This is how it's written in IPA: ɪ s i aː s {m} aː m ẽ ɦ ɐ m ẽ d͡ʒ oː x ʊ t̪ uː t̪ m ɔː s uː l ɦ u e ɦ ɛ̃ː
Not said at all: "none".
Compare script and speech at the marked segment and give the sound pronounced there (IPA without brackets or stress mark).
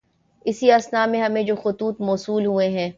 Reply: n